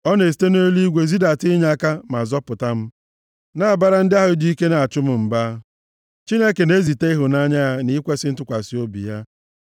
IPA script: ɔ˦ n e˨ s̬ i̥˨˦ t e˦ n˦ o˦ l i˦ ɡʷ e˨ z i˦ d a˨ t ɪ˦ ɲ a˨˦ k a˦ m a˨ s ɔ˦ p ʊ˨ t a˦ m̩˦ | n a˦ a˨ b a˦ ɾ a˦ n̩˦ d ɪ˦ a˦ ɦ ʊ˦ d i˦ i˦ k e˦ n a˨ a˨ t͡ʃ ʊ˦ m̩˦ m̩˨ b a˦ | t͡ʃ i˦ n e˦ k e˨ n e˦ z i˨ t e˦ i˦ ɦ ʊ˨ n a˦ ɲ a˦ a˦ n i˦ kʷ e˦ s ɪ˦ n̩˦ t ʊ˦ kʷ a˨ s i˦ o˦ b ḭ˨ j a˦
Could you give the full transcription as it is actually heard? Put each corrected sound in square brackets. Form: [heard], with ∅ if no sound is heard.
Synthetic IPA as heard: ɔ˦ n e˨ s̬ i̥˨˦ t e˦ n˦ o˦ l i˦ ɡʷ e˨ z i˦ d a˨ t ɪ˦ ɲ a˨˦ k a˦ m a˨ [z] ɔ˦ p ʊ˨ t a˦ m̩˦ | n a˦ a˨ b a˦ ɾ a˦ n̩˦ d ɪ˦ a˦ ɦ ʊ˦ d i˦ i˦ k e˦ n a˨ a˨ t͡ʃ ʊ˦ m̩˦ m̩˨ b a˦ | t͡ʃ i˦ n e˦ k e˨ n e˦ z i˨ t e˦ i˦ ɦ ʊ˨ n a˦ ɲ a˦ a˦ n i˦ kʷ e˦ s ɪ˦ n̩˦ t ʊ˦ kʷ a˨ s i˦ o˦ b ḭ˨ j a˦